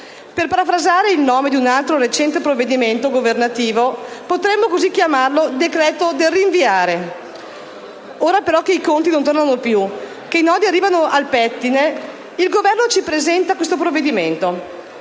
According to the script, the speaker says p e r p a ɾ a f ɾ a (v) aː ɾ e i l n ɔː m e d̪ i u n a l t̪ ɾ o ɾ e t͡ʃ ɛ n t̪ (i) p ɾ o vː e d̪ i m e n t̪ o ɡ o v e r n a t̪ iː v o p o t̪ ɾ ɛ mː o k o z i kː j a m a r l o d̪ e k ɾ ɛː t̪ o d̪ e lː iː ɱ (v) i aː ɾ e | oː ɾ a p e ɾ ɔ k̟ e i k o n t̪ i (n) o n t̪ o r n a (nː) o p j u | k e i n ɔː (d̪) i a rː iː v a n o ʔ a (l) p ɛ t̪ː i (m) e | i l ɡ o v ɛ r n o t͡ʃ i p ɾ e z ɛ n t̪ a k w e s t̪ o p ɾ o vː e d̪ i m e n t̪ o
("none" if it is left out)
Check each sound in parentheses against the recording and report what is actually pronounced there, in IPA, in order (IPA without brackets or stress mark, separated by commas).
z, e, v, n, n, d̪, l, n